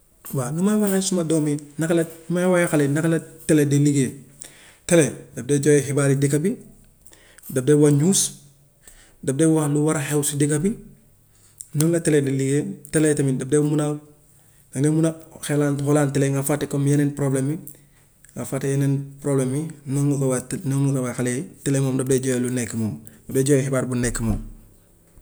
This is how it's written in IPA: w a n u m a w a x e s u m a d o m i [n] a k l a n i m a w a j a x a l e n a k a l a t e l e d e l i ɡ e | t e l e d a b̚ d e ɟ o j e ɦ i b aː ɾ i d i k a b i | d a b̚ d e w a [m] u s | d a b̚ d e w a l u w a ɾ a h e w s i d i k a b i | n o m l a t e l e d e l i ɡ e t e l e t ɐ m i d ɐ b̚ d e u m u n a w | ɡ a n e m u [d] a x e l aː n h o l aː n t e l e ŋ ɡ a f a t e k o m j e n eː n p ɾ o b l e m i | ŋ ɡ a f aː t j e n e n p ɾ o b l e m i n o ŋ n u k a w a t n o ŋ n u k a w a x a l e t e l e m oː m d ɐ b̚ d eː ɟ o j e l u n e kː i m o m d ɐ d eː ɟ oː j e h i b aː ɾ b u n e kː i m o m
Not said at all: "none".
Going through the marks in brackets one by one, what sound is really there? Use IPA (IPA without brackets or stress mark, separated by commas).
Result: n, ɲ, n